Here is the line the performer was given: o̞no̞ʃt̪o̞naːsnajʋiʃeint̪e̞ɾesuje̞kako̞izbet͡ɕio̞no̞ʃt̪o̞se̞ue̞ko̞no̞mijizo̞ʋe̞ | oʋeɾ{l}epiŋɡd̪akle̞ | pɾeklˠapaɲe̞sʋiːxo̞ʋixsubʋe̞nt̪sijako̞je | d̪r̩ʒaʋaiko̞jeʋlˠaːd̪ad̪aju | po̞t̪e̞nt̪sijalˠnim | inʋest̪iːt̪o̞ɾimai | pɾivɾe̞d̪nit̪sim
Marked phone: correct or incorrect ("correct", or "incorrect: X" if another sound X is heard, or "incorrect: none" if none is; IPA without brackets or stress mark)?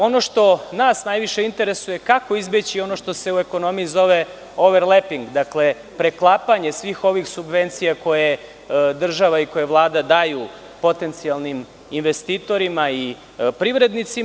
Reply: correct